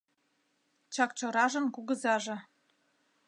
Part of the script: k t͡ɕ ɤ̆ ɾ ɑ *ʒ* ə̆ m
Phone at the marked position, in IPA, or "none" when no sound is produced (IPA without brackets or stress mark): ʒ